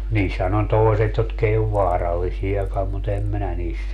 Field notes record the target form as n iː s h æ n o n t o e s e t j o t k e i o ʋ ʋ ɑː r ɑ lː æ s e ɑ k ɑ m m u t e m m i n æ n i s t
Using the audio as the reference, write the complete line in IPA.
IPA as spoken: n iː s h æ n o n t o e s e t j o t k e i o ʋ ʋ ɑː r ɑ lː i s i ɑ k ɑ m m u t e m m i n æ n iː s t